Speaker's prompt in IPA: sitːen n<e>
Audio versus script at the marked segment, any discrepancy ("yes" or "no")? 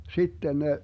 no